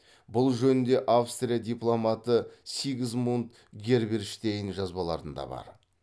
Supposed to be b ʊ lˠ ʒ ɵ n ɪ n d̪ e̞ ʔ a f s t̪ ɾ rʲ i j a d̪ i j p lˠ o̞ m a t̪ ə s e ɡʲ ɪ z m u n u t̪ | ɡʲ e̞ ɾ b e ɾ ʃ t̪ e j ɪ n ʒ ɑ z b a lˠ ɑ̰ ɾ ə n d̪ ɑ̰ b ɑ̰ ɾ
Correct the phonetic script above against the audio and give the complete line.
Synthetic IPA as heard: b ʊ lˠ ʒ ɵ n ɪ n d̪ e̞ ʔ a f s t̪ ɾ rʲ i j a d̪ i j p lˠ o̞ m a t̪ ə s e ɡʲ ɪ z m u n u t̪ | ɡʲ e̞ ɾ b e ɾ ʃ t̪ e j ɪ n ʒ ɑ z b ɑ lˠ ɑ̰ ɾ ə n d̪ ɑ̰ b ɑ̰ ɾ